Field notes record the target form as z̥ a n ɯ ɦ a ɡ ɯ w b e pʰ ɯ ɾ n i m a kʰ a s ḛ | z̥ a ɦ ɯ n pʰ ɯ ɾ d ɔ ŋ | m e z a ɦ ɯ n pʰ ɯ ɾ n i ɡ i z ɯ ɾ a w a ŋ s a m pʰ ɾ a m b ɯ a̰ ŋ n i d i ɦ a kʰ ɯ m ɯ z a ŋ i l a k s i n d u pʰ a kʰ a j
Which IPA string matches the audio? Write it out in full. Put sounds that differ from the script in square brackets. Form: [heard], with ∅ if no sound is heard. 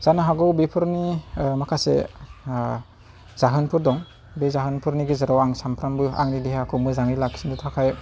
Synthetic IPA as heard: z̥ a n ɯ ɦ a ɡ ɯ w b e pʰ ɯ ɾ n i m a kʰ a s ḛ | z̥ a ɦ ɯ n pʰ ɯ ɾ d ɔ ŋ | [b] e z a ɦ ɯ n pʰ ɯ ɾ n i ɡ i z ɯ ɾ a w a ŋ s a m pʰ ɾ a m b ɯ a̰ ŋ n i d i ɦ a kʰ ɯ m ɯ z a ŋ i l a k s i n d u [tʰ] a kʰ a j